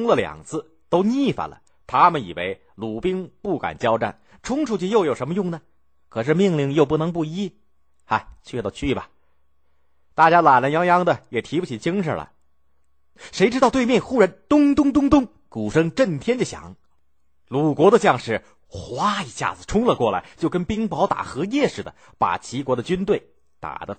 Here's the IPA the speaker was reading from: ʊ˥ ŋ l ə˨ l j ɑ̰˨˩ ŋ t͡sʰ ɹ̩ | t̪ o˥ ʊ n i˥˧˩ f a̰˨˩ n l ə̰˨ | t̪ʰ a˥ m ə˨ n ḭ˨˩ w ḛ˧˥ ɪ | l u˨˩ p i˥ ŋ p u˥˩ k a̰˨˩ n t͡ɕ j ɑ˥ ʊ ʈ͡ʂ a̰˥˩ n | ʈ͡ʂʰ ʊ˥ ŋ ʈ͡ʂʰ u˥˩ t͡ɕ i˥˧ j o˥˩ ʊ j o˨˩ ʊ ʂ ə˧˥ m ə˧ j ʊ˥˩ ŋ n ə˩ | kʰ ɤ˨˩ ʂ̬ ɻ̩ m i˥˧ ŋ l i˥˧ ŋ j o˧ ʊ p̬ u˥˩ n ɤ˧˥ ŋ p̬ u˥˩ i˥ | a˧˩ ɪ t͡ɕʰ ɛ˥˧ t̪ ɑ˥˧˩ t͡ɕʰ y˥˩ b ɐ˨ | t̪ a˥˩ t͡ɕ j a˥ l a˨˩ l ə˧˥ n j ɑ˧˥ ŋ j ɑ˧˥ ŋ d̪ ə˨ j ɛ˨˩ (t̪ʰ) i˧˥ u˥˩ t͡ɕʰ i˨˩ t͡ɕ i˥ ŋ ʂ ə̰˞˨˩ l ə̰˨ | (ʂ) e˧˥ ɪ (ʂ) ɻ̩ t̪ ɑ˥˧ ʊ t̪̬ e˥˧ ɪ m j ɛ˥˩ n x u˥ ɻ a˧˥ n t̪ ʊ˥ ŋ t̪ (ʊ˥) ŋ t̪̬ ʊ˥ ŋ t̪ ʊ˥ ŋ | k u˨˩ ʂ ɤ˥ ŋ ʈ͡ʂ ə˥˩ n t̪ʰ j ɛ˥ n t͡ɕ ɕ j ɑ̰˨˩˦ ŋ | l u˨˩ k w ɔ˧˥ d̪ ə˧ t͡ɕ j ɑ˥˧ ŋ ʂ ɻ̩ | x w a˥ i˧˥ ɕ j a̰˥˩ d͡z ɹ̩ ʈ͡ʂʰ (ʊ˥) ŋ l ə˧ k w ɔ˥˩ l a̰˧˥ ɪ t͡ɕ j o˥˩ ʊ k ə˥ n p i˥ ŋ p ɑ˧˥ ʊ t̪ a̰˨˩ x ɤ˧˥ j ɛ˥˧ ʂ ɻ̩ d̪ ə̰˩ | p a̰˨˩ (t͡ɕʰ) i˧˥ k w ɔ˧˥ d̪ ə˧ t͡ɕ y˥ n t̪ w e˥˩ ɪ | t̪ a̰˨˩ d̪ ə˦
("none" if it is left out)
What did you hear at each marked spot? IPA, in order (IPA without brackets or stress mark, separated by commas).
t̪ʰ, ʂ, ʈ͡ʂ, ʊ˥, ʊ˥, t͡ɕʰ